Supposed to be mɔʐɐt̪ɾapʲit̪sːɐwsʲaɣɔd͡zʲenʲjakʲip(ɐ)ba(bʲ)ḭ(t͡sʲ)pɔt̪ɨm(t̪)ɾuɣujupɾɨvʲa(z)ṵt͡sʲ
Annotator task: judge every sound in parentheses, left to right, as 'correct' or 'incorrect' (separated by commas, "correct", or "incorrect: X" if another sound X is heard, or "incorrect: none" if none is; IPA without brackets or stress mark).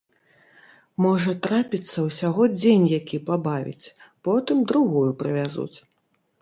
incorrect: a, incorrect: vʲ, correct, incorrect: d̪, correct